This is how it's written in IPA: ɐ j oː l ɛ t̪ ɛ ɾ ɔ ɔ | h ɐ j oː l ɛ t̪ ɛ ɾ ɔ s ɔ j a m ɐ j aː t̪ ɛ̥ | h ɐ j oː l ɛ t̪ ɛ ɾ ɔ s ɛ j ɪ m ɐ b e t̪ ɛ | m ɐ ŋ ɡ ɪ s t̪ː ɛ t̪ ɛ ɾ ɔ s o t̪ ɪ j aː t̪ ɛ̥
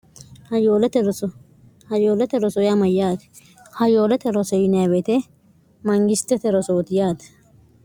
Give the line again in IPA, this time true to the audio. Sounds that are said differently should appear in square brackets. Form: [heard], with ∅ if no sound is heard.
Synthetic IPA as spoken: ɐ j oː l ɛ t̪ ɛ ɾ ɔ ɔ | h ɐ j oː l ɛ t̪ ɛ ɾ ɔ s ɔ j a m ɐ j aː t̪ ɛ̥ | h ɐ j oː l ɛ t̪ ɛ ɾ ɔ s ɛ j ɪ [n] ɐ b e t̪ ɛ | m ɐ ŋ ɡ ɪ s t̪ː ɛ t̪ ɛ ɾ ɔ s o t̪ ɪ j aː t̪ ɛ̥